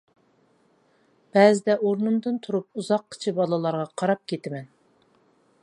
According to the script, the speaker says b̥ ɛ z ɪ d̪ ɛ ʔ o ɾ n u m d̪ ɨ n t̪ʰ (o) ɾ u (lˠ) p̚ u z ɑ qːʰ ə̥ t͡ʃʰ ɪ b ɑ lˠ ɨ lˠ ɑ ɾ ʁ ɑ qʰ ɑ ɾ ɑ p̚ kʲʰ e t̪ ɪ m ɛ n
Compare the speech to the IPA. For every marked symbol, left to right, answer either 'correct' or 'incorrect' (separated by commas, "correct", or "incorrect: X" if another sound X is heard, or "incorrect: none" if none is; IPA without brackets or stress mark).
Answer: incorrect: u, incorrect: none